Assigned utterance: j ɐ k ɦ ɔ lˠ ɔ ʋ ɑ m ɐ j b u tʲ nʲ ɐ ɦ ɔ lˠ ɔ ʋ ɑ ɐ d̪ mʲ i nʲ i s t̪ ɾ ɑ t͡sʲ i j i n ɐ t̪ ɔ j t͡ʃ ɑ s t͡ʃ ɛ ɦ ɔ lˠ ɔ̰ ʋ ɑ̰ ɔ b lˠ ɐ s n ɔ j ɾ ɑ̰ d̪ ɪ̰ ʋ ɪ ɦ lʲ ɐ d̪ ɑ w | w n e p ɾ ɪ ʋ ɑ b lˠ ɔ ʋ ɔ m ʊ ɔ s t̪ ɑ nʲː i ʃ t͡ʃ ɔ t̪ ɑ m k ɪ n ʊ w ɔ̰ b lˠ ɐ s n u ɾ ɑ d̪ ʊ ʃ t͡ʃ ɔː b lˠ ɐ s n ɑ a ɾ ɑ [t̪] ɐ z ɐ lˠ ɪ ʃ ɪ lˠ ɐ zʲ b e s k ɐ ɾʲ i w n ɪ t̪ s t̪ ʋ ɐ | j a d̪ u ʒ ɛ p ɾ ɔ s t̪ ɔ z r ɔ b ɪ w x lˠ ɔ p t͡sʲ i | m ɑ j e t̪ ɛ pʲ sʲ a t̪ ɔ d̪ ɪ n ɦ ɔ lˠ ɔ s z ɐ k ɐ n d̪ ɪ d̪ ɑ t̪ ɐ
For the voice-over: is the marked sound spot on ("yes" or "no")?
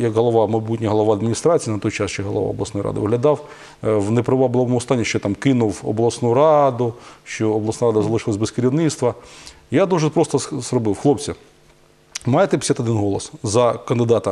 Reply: no